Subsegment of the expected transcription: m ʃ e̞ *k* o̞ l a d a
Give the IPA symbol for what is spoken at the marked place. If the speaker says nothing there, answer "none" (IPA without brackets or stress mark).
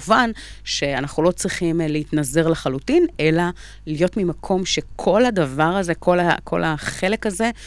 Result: kʰ